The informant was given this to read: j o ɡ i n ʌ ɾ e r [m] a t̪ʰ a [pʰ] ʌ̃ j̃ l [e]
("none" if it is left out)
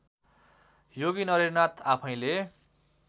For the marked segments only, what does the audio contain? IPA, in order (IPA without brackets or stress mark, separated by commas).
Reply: n, pʰ, e